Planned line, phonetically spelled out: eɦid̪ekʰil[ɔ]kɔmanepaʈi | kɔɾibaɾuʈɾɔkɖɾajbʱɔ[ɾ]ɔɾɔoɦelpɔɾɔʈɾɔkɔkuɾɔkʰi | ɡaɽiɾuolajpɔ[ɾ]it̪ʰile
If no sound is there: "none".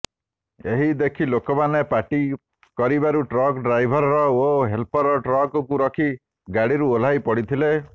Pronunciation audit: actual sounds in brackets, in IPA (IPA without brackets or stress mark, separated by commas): o, ɾ, ɽ